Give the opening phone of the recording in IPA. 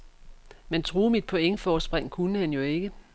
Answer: m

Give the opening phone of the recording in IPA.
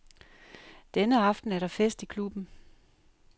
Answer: d̥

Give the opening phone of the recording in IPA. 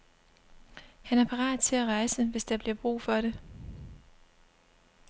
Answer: h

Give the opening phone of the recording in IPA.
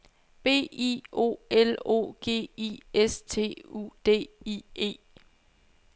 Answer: b̥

